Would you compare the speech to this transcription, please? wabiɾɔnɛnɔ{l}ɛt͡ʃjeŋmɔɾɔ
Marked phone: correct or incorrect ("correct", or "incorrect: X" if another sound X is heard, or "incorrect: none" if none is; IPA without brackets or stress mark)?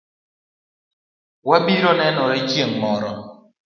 incorrect: ɾ